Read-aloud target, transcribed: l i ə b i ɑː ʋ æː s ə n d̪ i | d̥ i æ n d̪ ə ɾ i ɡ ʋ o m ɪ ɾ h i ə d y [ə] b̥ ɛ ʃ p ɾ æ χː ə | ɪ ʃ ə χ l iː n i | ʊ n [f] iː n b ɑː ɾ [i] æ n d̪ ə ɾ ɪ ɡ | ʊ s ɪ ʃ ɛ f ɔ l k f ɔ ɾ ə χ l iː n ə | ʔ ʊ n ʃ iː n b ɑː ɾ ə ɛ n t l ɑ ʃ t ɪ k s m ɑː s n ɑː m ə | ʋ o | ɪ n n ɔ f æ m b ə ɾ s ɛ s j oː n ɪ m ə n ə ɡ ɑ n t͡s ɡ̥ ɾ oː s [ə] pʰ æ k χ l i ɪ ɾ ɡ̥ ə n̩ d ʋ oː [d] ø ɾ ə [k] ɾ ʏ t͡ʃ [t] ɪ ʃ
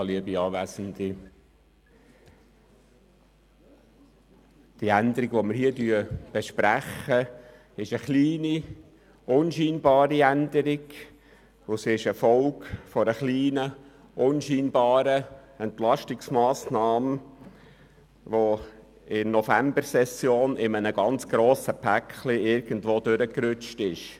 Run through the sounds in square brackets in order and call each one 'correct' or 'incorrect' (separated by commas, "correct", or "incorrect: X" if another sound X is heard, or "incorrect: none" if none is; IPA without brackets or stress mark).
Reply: correct, incorrect: ʃ, correct, correct, correct, correct, correct